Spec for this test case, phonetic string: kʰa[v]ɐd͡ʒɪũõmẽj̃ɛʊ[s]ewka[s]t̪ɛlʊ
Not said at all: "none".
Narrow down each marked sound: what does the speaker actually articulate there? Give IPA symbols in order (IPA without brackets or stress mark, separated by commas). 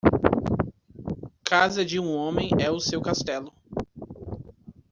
z, s, s